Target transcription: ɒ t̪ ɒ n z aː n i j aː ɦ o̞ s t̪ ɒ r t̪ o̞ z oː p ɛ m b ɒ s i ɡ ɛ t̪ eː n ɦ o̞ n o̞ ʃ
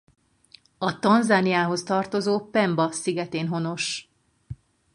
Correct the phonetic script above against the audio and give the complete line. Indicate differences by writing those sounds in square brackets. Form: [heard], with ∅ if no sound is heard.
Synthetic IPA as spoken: ɒ t̪ ɒ n z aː n i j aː ɦ o̞ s t̪ ɒ r t̪ o̞ z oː p ɛ m b ɒ s i ɡ ɛ t̪ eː n ɦ o̞ n o̞ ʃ

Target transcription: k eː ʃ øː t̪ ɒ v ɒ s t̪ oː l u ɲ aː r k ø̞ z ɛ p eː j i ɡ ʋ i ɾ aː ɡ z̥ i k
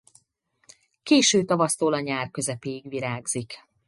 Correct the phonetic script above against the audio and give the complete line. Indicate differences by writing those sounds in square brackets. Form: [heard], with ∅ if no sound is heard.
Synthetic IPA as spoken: k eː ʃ øː t̪ ɒ v ɒ s t̪ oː l [ɒ] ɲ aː r k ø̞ z ɛ p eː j i ɡ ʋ i ɾ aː ɡ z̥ i k

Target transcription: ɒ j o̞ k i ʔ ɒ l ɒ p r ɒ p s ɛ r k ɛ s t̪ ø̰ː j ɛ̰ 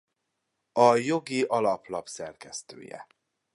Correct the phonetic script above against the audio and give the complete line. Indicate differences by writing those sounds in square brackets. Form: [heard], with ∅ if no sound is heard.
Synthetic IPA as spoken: ɒ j o̞ [ɡ] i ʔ ɒ l ɒ p [l] ɒ p s ɛ r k ɛ s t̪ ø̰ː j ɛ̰

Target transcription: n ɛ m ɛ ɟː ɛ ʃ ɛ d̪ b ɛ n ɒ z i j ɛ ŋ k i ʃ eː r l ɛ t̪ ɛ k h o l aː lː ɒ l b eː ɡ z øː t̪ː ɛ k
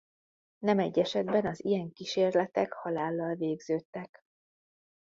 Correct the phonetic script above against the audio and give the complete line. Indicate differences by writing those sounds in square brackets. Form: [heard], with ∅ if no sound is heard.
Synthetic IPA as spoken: n ɛ m ɛ ɟː ɛ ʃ ɛ d̪ b ɛ n ɒ z i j ɛ ŋ k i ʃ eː r l ɛ t̪ ɛ k h [ɒ] l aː lː ɒ l [v] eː ɡ z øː t̪ː ɛ k

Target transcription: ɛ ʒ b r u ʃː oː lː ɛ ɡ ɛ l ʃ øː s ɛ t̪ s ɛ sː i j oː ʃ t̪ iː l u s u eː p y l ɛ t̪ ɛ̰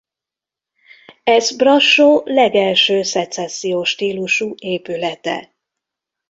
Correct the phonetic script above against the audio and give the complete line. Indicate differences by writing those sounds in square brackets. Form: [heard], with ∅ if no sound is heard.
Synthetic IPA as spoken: ɛ [z] b r [ɒ] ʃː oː [l] ɛ ɡ ɛ l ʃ øː s ɛ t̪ s ɛ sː i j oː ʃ t̪ iː l u [ʃ] u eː p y l ɛ t̪ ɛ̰

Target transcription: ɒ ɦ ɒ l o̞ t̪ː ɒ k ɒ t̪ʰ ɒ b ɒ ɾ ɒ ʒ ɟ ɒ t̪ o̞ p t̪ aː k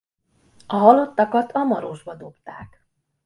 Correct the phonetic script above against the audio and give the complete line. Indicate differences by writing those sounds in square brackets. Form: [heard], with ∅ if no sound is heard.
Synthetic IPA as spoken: ɒ ɦ ɒ l o̞ t̪ː ɒ k ɒ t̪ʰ ɒ [m] ɒ ɾ [o] ʒ [b] ɒ [d̪] o̞ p t̪ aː k

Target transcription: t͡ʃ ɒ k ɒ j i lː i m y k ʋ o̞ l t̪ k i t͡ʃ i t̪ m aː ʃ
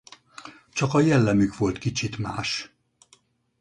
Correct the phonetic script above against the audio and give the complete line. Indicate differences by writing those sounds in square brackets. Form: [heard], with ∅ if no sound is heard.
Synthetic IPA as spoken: t͡ʃ ɒ k ɒ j [ɛ] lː [ɛ] m y k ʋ o̞ l t̪ k i t͡ʃ i t̪ m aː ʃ

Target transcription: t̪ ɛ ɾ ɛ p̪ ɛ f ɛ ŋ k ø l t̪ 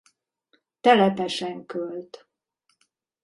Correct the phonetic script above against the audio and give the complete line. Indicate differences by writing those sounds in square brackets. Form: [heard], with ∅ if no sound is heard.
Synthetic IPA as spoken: t̪ ɛ [l] ɛ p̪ ɛ [ʃ] ɛ ŋ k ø l t̪

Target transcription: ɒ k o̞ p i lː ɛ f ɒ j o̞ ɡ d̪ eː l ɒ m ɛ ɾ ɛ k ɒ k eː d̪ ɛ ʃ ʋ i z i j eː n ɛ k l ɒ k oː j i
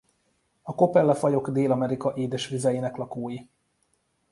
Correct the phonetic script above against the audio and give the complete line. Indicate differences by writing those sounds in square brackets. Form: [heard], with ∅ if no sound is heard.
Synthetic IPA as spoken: ɒ k o̞ p [ɛ] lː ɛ f ɒ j o̞ ɡ d̪ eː l ɒ m ɛ ɾ [i] k ɒ [ʔ] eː d̪ ɛ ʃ ʋ i z [ɛ] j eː n ɛ k l ɒ k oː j i

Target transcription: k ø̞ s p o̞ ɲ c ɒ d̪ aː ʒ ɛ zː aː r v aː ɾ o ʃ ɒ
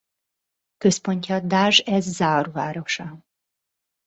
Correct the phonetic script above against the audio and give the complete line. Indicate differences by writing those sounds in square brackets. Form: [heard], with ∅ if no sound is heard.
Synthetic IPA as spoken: k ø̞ s p o̞ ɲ c ɒ d̪ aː ʒ ɛ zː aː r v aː ɾ o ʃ ɒ

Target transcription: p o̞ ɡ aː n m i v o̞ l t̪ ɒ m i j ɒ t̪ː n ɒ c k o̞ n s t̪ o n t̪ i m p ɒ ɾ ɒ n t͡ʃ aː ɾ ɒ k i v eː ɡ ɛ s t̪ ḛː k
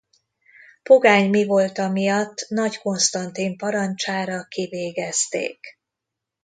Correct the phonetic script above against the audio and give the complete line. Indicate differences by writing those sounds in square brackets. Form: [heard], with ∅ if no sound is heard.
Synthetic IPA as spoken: p o̞ ɡ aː [ɲ] m i v o̞ l t̪ ɒ m i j ɒ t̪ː n ɒ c k o̞ n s t̪ [ɒ] n t̪ i m p ɒ ɾ ɒ n t͡ʃ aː ɾ ɒ k i v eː ɡ ɛ s t̪ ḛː k

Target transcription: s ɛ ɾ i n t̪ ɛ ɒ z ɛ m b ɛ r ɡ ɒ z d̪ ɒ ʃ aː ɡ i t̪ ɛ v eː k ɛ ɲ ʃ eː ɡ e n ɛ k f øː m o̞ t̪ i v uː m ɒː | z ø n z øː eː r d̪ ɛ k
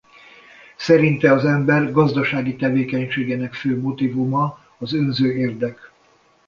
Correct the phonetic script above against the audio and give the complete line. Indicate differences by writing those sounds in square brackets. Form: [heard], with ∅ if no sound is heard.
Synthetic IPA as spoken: s ɛ ɾ i n t̪ ɛ ɒ z ɛ m b ɛ r ɡ ɒ z d̪ ɒ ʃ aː ɡ i t̪ ɛ v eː k ɛ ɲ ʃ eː ɡ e n ɛ k f øː m o̞ t̪ i v [u] m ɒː | z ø n z øː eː r d̪ ɛ k

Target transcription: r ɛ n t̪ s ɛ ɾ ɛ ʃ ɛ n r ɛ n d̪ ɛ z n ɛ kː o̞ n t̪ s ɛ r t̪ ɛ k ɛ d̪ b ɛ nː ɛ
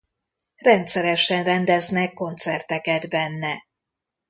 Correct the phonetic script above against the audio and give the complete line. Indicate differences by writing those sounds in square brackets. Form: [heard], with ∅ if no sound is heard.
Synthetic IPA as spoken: r ɛ n t̪ s ɛ ɾ ɛ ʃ ɛ n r ɛ n d̪ ɛ z n ɛ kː o̞ n t̪ s ɛ r t̪ ɛ k ɛ d̪ b ɛ nː ɛ

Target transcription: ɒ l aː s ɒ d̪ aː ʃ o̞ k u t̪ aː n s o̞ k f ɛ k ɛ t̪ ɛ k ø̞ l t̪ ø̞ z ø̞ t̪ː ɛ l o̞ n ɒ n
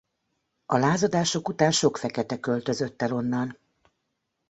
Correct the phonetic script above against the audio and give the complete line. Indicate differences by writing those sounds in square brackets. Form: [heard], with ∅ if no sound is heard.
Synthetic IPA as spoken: ɒ l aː [z] ɒ d̪ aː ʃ o̞ k u t̪ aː n [ʃ] o̞ k f ɛ k ɛ t̪ ɛ k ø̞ l t̪ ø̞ z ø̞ t̪ː ɛ l o̞ [nː] ɒ n

